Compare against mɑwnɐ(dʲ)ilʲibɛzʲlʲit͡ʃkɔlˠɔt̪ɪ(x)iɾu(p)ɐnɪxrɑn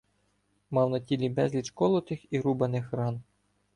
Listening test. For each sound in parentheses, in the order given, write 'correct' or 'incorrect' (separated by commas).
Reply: incorrect, correct, incorrect